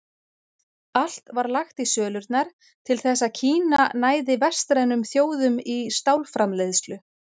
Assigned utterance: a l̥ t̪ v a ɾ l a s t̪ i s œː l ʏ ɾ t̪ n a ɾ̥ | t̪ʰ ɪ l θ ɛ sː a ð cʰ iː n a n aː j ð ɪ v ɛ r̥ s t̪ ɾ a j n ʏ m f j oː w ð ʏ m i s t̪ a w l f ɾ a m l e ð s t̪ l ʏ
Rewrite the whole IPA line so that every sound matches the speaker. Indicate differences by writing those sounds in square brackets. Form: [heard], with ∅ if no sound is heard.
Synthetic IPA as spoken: a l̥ t̪ v a ɾ l a [x] t̪ i s œː l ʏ ɾ t̪ n a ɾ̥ | t̪ʰ ɪ l θ ɛ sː a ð cʰ iː n a n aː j ð ɪ v ɛ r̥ s t̪ ɾ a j n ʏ m [θ] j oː w ð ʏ m i s t̪ a w l f ɾ a m l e ð s t̪ l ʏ